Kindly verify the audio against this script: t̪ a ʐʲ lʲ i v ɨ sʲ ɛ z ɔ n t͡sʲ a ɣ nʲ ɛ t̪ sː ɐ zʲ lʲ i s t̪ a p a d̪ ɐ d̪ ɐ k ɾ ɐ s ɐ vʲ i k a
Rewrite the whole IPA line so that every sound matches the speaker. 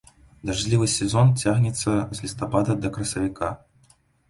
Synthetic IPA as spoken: d̪ a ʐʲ lʲ i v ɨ sʲ ɛ z ɔ n t͡sʲ a ɣ nʲ ɛ t̪ sː ɐ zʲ lʲ i s t̪ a p a d̪ ɐ d̪ ɐ k ɾ ɐ s ɐ vʲ i k a